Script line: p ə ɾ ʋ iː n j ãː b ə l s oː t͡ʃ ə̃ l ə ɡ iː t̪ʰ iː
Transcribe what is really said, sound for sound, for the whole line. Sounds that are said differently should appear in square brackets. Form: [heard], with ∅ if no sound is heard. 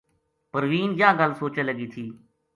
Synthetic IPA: p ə ɾ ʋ iː n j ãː [ɡ] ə l s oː t͡ʃ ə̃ l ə ɡ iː t̪ʰ iː